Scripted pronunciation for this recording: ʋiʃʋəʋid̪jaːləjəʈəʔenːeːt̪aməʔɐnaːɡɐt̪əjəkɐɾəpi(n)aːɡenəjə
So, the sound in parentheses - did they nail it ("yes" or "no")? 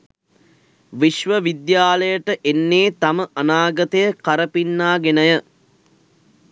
no